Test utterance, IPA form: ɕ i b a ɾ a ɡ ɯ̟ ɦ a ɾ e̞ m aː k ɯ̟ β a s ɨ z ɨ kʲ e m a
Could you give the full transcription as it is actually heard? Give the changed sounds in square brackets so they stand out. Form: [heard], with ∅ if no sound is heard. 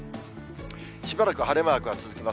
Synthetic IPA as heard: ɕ i b a ɾ a [k] ɯ̟ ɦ a ɾ e̞ m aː k ɯ̟ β a [t͡s] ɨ z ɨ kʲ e m a